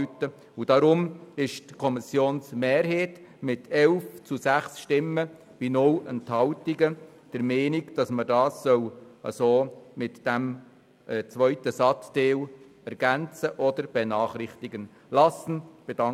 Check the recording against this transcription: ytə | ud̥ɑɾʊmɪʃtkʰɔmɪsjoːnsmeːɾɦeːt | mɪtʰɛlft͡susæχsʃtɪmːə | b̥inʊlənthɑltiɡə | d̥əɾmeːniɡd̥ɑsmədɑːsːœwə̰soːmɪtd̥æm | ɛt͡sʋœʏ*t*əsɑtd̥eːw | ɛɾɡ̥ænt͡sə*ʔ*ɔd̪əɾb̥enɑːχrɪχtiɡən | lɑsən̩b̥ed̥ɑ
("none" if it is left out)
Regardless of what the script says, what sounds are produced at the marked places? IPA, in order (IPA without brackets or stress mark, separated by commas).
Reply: t, ʔ